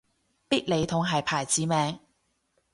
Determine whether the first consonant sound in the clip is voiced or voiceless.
voiceless